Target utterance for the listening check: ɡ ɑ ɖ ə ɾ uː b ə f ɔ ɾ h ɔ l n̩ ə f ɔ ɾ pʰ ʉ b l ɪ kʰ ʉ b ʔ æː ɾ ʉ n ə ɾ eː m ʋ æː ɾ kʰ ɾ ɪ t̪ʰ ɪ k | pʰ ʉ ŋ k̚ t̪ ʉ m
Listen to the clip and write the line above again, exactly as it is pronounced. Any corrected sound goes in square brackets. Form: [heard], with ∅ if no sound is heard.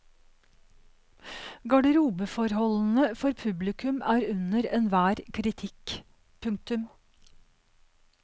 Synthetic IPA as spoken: ɡ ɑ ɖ ə ɾ uː b ə f ɔ ɾ h ɔ l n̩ ə f ɔ ɾ pʰ ʉ b l ɪ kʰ ʉ [m] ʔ æː ɾ ʉ n ə ɾ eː [n] ʋ æː ɾ kʰ ɾ ɪ t̪ʰ ɪ k | pʰ ʉ ŋ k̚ t̪ ʉ m